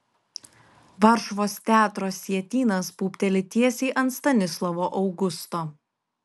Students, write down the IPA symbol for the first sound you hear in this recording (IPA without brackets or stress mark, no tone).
ʋ